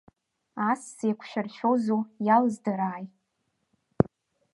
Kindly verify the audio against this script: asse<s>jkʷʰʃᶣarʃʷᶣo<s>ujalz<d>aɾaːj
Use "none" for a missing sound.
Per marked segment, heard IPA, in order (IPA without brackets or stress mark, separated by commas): none, z, d